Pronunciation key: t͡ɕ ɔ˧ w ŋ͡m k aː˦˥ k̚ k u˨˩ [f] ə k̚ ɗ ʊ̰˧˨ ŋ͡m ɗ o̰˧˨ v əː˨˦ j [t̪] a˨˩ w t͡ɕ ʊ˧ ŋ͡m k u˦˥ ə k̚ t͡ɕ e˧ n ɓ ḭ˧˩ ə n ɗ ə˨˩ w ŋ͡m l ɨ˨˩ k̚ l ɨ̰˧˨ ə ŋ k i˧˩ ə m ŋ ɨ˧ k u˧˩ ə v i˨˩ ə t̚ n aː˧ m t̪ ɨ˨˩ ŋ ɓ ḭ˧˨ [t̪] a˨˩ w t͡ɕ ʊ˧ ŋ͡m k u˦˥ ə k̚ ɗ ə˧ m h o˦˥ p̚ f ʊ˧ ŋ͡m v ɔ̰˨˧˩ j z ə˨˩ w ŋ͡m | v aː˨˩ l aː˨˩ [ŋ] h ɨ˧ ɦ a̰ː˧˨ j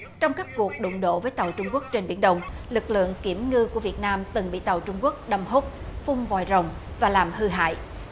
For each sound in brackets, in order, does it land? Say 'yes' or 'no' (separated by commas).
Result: no, yes, yes, no